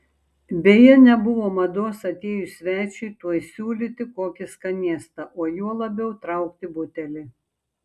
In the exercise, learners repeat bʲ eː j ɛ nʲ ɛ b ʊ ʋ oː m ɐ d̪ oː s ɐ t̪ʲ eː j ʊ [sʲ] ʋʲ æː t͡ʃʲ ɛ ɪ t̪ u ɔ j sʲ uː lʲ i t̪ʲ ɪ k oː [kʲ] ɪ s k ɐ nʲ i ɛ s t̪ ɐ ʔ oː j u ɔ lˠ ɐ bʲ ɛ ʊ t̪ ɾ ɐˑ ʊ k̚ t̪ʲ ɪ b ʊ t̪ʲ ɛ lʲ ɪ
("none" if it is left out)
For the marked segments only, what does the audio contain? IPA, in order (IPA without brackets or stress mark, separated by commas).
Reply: sʲ, kʲ